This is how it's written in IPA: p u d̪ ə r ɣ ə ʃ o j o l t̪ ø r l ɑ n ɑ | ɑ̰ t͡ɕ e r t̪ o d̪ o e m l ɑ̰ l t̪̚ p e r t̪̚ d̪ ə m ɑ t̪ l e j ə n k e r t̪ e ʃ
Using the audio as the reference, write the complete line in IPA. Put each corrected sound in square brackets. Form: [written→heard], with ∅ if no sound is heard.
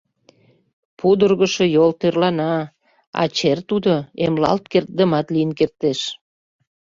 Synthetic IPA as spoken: p u d̪ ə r ɣ ə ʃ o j o l t̪ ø r l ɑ n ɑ | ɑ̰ t͡ɕ e r t̪ [o→u] d̪ o e m l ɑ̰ l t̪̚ [p→k] e r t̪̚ d̪ ə m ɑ t̪ l [e→i] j ə n k e r t̪ e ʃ